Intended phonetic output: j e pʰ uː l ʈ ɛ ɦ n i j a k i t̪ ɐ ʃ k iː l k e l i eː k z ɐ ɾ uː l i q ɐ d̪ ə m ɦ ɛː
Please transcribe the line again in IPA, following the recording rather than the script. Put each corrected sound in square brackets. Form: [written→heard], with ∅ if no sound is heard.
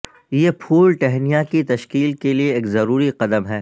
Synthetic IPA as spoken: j e pʰ uː l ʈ ɛ ɦ n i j a k i t̪ ɐ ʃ k iː l k e l i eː k z ɐ ɾ uː [l→ɾ] i q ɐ d̪ ə m ɦ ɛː